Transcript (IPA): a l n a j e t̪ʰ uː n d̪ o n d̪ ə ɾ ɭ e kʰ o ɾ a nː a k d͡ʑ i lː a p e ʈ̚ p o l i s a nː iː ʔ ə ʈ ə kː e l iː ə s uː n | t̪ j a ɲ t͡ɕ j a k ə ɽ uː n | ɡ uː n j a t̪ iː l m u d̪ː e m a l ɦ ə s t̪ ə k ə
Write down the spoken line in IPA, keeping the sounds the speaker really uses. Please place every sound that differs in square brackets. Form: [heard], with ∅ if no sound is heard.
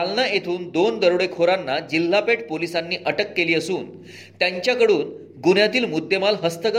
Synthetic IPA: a l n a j e t̪ʰ uː n d̪ o n d̪ ə ɾ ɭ e kʰ o ɾ a nː a [∅] d͡ʑ i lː a p e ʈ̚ p o l i s a nː iː ʔ ə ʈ ə kː e l iː ə s uː n | t̪ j a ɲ t͡ɕ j a k ə ɽ uː n | ɡ [u] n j a t̪ iː l m u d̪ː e m a l ɦ ə s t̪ ə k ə